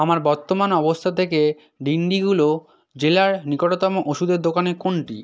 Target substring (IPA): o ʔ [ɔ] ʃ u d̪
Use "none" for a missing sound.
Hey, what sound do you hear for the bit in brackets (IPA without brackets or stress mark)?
o